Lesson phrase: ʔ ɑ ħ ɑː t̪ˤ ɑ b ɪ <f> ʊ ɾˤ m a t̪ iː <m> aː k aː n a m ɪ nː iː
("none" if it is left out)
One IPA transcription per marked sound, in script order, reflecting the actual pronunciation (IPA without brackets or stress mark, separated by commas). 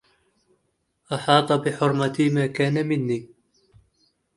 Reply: ħ, m